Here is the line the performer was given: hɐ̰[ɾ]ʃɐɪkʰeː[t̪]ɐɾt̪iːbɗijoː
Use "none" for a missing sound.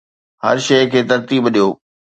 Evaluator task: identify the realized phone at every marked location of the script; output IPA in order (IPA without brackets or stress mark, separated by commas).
ɾ, t̪